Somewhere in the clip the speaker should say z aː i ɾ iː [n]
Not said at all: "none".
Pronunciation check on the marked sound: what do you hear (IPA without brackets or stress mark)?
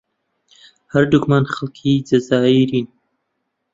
n